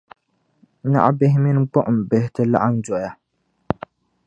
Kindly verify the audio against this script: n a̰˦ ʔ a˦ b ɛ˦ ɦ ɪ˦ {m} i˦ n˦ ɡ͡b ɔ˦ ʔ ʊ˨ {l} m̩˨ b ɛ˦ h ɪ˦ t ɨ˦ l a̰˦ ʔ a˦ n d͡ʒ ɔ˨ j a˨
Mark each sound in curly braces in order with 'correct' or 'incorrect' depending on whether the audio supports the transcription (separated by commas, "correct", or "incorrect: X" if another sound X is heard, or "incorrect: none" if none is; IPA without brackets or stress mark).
correct, incorrect: none